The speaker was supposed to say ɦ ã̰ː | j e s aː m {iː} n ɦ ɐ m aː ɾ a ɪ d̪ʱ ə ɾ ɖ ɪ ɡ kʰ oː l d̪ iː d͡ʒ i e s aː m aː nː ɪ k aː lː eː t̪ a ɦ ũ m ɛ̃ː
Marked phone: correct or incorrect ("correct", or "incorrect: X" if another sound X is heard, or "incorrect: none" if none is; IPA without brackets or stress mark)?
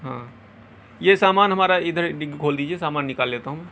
incorrect: aː